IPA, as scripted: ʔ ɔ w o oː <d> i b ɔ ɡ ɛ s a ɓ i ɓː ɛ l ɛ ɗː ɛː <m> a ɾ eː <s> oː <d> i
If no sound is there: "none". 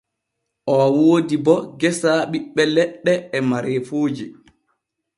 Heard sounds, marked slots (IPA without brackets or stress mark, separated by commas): d, m, f, d͡ʒ